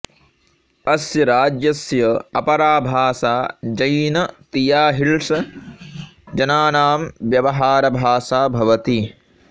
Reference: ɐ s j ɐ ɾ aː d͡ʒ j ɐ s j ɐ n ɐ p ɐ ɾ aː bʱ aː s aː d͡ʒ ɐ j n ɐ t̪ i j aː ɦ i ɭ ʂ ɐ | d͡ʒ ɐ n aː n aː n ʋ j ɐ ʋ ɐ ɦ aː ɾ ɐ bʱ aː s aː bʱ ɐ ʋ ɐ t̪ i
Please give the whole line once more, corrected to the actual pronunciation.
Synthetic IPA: ɐ s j ɐ ɾ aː d͡ʒ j ɐ s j ɐ ɐ p ɐ ɾ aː bʱ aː s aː d͡ʒ ɐ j n ɐ t̪ i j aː ɦ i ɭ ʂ ɐ | d͡ʒ ɐ n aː n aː m ʋ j ɐ ʋ ɐ ɦ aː ɾ ɐ bʱ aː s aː bʱ ɐ ʋ ɐ t̪ i

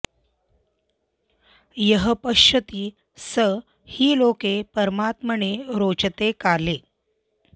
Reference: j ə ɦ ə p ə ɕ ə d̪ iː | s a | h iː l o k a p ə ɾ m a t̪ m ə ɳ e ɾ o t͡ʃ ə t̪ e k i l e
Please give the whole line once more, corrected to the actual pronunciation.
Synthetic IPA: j ə ɦ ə p ə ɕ ə t̪ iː | s ə | h iː l o k e p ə ɾ m a t̪ m ə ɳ e ɾ o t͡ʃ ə t̪ e k a l e

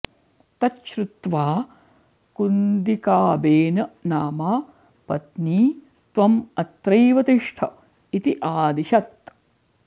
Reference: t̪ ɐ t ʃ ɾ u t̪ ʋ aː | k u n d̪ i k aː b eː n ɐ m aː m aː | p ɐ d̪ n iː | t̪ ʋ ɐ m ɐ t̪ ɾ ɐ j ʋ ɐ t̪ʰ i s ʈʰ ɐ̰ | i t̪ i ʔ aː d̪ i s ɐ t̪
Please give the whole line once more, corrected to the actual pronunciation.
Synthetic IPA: t̪ ɐ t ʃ ɾ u t̪ ʋ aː | k u n d̪ i k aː b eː n ɐ n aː m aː | p ɐ t̪ n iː | t̪ ʋ ɐ m ɐ t̪ ɾ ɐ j ʋ ɐ t̪ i ʂ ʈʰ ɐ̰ | i t̪ i ʔ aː d̪ i ʃ ɐ t̪

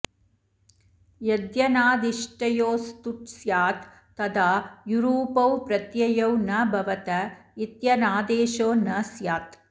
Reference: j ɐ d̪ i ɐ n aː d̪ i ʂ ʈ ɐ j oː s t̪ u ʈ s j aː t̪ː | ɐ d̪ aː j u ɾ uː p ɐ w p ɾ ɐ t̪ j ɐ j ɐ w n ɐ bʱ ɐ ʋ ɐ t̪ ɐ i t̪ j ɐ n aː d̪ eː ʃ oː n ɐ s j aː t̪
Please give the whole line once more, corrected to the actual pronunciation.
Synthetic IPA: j ɐ d̪ j ɐ n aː d̪ i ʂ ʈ ɐ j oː s t̪ u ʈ s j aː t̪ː | ɐ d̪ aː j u ɾ uː p ɐ w p ɾ ɐ t̪ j ɐ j ɐ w n ɐ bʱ ɐ ʋ ɐ t̪ ɐ i t̪ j ɐ n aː d̪ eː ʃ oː n ɐ s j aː t̪

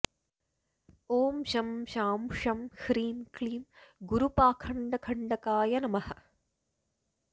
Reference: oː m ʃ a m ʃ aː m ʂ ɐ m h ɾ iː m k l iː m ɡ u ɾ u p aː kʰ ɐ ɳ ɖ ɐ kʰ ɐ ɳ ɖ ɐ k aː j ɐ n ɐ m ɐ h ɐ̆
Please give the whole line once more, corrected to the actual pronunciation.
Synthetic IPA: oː m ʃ ɐ m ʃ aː m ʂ ɐ m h ɾ iː m k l iː m ɡ u ɾ u p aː kʰ ɐ ɳ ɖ ɐ kʰ ɐ ɳ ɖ ɐ k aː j ɐ n ɐ m ɐ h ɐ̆

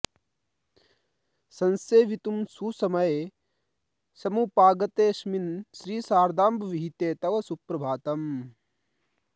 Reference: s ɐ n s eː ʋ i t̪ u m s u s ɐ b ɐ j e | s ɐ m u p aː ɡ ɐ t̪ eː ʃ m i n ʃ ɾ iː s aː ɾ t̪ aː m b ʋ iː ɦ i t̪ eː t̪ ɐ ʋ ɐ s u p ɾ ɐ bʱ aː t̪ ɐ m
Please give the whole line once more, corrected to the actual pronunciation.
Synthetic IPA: s ɐ n s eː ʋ i t̪ u m s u s ɐ m ɐ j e | s ɐ m u p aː ɡ ɐ t̪ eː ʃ m i n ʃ ɾ iː s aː ɾ d̪ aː m b ʋ i ɦ i t̪ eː t̪ ɐ ʋ ɐ s u p ɾ ɐ bʱ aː t̪ ɐ m

